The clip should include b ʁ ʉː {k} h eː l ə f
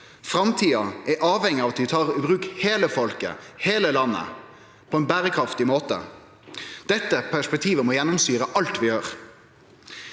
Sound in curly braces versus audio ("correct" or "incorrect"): correct